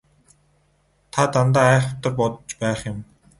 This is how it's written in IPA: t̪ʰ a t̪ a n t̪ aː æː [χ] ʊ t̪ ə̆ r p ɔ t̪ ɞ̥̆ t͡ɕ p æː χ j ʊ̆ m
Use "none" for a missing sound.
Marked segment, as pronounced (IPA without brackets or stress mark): χ